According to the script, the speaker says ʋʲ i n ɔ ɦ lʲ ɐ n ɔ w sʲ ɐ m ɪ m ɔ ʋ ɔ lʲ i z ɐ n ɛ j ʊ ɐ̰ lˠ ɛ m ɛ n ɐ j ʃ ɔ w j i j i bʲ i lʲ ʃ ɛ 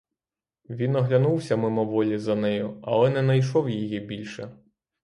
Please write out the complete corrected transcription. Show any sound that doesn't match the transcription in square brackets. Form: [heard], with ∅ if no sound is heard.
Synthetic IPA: ʋʲ i n ɔ ɦ lʲ ɐ n [u] w sʲ ɐ m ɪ m ɔ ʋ ɔ lʲ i z ɐ n ɛ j ʊ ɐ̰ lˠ ɛ [n] ɛ n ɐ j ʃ ɔ w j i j i bʲ i lʲ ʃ ɛ